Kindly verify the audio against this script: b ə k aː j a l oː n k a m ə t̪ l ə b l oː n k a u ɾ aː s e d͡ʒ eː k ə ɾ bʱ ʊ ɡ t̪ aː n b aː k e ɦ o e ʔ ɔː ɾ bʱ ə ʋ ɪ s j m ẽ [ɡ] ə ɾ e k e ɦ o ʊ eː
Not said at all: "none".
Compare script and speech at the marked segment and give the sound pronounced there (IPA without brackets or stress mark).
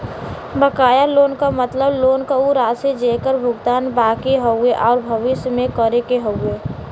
k